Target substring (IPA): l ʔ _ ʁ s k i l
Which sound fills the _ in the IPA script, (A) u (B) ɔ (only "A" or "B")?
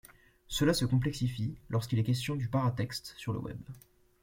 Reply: B